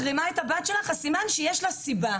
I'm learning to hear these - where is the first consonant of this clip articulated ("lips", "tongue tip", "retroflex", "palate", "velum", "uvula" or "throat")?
uvula